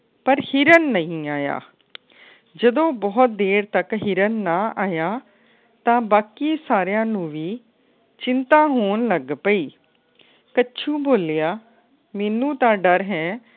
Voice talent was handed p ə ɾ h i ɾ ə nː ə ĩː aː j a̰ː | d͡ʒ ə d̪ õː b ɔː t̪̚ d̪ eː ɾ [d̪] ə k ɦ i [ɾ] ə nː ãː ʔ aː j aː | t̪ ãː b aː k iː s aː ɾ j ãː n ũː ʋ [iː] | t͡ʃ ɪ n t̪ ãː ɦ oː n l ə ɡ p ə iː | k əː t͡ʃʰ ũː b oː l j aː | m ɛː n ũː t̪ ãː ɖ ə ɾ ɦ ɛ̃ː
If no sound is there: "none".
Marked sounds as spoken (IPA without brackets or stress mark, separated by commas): t̪, ɾ, iː